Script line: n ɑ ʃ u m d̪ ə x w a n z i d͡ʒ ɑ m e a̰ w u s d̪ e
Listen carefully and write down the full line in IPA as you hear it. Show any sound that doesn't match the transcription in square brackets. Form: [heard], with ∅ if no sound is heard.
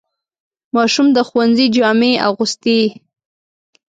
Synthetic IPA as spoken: [m] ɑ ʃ u m d̪ ə x w a n z i d͡ʒ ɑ m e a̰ [ɣ] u s [t̪] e